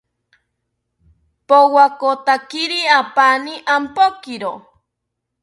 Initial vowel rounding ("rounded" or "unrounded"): rounded